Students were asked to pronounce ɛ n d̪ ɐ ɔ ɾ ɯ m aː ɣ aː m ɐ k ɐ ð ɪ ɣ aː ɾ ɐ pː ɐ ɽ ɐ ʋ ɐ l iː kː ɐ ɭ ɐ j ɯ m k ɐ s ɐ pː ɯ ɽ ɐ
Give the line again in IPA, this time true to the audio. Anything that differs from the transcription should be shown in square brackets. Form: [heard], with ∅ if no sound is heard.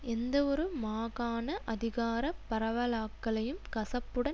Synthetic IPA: ɛ n d̪ ɐ ɔ ɾ ɯ m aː ɣ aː [n] ɐ [ʔ] ɐ ð ɪ ɣ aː ɾ ɐ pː ɐ [ɾ] ɐ ʋ ɐ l [aː] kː ɐ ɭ ɐ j ɯ m k ɐ s ɐ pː ɯ ɽ ɐ